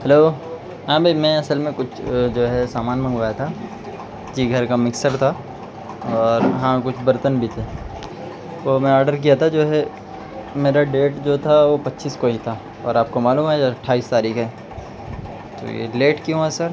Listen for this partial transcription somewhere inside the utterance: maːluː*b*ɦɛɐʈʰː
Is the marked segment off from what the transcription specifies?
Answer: yes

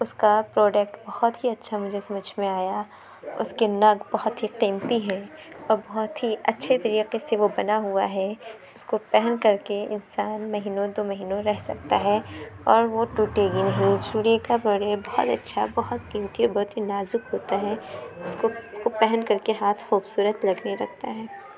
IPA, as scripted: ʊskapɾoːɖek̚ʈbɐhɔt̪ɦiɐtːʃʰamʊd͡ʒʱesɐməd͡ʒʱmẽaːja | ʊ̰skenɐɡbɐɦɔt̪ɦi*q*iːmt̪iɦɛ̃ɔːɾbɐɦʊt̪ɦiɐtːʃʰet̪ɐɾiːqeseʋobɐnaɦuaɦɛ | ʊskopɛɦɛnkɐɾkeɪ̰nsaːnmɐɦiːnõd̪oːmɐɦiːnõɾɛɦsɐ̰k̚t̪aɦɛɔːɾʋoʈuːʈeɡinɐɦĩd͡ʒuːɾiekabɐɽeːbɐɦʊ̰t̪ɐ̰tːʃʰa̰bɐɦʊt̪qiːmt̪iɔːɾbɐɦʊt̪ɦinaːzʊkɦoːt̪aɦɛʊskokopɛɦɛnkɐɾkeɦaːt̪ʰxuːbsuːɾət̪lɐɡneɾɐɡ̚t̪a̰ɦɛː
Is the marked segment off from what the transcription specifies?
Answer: no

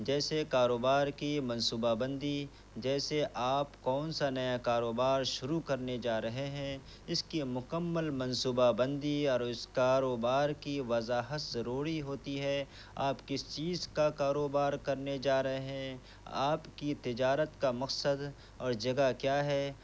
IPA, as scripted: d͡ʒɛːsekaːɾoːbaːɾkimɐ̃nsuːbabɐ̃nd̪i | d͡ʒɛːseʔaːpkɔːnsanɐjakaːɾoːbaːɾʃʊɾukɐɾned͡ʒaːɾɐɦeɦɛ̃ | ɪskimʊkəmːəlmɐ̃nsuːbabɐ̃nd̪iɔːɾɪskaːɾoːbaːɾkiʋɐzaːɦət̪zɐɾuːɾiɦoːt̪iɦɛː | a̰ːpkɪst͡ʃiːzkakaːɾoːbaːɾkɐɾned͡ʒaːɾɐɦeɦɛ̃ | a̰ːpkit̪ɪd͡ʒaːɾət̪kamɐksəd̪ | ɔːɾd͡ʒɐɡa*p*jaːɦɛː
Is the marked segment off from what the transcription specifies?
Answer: yes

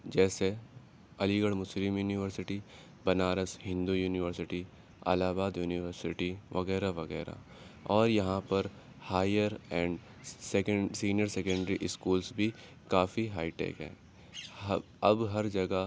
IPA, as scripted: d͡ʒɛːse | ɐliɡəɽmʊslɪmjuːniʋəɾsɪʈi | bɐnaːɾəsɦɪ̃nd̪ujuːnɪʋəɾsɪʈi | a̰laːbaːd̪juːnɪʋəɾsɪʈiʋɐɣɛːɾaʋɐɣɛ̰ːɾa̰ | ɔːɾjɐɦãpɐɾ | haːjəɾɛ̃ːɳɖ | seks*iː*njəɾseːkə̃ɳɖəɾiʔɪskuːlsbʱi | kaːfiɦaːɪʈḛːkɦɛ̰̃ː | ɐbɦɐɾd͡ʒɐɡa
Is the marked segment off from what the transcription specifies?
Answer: no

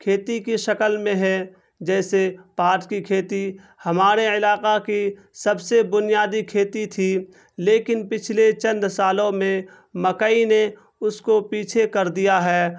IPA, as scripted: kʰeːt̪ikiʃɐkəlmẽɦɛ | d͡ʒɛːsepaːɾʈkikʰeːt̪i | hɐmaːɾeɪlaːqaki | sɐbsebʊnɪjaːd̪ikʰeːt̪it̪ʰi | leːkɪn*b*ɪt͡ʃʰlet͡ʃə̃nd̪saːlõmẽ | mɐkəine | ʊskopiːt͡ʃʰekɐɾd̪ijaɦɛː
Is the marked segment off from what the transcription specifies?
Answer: yes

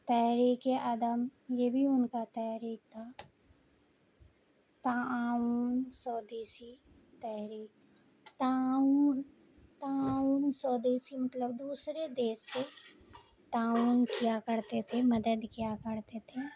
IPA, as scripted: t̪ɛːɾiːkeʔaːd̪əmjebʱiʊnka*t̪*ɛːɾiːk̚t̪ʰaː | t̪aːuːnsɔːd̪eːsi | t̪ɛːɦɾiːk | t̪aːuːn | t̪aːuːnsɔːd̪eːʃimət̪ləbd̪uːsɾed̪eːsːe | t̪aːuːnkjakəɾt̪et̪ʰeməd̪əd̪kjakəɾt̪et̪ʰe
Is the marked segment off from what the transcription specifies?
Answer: no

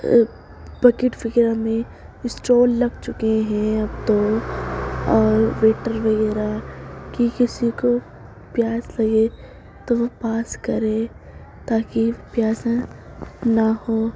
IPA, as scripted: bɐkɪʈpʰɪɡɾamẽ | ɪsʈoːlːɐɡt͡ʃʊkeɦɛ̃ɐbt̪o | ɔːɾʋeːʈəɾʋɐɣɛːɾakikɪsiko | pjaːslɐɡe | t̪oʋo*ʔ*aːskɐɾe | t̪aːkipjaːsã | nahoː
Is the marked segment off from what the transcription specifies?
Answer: yes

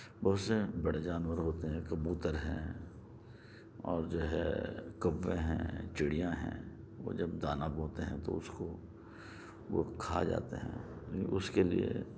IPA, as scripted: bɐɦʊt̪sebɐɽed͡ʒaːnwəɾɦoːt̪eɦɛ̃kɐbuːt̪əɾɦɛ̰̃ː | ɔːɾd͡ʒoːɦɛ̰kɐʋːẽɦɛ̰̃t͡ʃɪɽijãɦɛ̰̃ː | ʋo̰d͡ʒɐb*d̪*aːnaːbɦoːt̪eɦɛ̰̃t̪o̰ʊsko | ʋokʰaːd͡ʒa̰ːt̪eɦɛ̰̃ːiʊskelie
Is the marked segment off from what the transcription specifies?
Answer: no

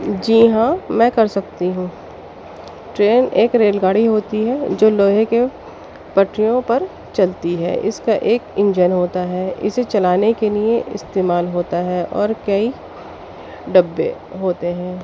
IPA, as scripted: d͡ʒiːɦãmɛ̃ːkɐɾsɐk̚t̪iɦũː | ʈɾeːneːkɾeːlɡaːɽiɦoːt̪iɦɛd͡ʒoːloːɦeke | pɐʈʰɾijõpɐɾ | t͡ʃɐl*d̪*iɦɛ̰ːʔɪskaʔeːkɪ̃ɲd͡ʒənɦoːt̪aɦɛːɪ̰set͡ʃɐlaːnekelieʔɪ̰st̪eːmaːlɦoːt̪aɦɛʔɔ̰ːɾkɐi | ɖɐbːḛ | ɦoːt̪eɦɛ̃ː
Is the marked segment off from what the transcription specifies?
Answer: yes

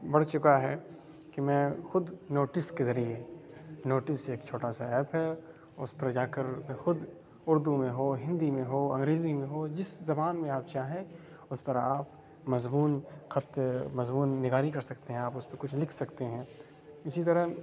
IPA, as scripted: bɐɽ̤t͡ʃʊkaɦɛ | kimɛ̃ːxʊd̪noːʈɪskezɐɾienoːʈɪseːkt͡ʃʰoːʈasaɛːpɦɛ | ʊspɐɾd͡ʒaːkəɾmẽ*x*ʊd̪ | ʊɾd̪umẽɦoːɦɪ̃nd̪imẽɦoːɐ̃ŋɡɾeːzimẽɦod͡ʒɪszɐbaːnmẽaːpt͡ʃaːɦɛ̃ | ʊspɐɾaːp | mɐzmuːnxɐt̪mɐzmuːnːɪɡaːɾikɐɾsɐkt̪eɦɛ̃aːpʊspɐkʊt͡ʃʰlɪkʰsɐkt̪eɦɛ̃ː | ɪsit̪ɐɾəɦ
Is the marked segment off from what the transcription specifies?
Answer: no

